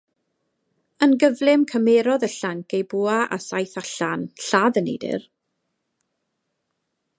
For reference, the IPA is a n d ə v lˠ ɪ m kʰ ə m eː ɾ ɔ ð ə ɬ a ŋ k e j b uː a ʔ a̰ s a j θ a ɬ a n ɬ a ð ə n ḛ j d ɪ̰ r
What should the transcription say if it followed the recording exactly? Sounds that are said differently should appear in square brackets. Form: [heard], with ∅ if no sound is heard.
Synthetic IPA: [ə] n [ɡ] ə v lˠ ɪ m kʰ ə m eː ɾ ɔ ð ə ɬ a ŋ k e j b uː a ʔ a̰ s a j θ a ɬ a n ɬ a ð ə n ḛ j d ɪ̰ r